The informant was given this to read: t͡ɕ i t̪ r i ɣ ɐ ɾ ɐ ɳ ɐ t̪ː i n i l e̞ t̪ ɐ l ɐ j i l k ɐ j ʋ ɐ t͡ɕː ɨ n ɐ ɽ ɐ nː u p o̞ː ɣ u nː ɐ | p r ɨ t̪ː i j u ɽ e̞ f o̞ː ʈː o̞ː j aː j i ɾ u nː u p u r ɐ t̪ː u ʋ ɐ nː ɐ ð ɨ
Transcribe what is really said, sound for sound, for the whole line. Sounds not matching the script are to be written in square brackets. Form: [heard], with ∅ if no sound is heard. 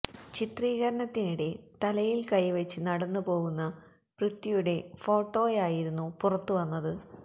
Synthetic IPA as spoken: t͡ɕ i t̪ r [iː] ɣ ɐ ɾ ɐ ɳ ɐ t̪ː i n i [ɽ] e̞ t̪ ɐ l ɐ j i l k ɐ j ʋ ɐ t͡ɕː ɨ n ɐ ɽ ɐ nː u p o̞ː ɣ u nː ɐ | p r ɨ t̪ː i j u ɽ e̞ f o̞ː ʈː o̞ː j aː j i ɾ u nː u p u r ɐ t̪ː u ʋ ɐ nː ɐ ð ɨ